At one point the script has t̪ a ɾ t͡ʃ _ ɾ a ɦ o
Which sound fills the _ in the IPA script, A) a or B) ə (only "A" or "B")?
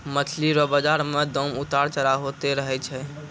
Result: B